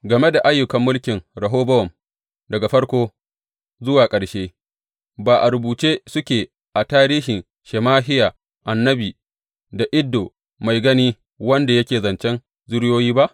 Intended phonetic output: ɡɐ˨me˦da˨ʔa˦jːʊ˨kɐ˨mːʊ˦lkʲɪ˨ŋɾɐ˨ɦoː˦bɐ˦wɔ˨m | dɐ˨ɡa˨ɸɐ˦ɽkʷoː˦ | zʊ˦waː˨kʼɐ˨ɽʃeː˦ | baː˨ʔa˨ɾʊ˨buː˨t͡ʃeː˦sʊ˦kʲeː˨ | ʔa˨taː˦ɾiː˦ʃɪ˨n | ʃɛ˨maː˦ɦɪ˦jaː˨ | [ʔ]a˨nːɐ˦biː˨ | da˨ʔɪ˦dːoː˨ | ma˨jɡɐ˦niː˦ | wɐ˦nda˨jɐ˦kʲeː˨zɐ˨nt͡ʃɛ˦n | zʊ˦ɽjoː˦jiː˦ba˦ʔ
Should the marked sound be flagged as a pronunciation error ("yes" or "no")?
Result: no